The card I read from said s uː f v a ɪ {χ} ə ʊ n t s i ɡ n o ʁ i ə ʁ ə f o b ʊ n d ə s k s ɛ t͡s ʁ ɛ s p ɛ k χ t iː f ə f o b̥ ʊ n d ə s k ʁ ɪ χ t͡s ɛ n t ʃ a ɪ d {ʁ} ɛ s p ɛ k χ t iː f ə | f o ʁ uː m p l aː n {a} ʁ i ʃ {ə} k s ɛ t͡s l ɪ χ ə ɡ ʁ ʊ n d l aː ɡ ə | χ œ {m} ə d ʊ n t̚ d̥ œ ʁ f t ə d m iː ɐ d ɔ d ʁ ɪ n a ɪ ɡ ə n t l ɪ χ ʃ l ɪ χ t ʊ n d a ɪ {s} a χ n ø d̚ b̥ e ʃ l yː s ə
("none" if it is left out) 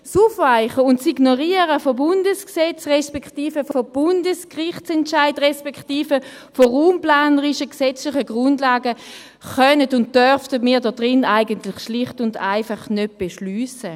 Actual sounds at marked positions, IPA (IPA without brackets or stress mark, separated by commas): χ, ʁ, ə, ə, n, f